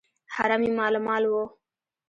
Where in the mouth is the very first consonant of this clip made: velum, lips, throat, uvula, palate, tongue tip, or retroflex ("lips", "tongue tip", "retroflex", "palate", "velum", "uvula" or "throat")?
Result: throat